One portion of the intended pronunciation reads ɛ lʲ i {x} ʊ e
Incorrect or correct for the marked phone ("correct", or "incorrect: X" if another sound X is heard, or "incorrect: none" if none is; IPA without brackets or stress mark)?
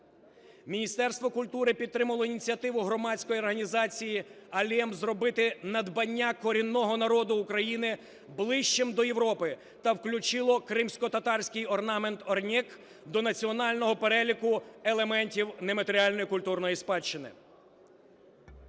incorrect: k